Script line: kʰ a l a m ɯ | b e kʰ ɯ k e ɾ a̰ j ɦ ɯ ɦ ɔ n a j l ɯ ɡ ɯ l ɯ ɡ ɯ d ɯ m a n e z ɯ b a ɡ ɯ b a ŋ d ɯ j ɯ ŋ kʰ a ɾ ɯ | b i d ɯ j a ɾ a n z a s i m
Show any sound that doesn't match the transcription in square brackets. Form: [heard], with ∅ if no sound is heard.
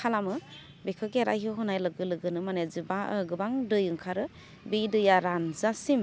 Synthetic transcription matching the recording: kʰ a l a m ɯ | b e kʰ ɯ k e ɾ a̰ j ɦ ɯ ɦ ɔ n a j l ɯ ɡ ɯ l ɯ ɡ ɯ [n] ɯ m a n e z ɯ b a ɡ ɯ b a ŋ d ɯ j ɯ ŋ kʰ a ɾ ɯ | b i d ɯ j a ɾ a n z a s i m